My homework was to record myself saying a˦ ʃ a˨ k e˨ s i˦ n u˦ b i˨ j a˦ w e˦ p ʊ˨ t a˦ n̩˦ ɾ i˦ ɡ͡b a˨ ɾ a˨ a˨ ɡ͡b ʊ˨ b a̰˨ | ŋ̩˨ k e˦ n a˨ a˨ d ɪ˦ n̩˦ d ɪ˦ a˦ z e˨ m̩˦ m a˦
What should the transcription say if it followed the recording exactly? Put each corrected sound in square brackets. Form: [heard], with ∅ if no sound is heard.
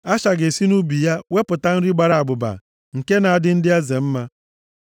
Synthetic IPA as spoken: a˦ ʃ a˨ [ɡ] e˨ s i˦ n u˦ b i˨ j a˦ w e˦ p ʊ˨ t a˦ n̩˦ ɾ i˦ ɡ͡b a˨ ɾ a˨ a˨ ɡ͡b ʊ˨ b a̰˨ | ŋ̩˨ k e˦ n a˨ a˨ d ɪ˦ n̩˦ d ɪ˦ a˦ z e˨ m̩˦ m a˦